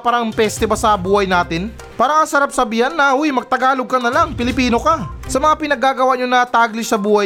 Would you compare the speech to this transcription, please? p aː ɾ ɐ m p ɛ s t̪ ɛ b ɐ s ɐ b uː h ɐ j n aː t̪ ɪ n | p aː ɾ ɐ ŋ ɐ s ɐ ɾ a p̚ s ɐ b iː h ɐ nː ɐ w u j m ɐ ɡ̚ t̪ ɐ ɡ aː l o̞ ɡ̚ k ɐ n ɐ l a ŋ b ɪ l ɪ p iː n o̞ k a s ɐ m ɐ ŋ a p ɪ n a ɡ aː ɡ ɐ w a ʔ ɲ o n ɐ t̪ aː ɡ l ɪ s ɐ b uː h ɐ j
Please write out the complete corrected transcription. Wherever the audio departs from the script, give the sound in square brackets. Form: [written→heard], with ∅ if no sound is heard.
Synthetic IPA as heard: p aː ɾ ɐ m p ɛ s t̪ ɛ b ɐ s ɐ b uː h ɐ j n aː t̪ ɪ n | p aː ɾ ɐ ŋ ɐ s ɐ ɾ a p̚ s ɐ b iː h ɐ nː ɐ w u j m ɐ ɡ̚ t̪ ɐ ɡ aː l o̞ ɡ̚ k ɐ n ɐ l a ŋ [b→p] ɪ l ɪ p iː n o̞ k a s ɐ m ɐ ŋ a p ɪ n [a→ɐ] ɡ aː ɡ ɐ w a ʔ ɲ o n ɐ t̪ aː ɡ l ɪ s ɐ b uː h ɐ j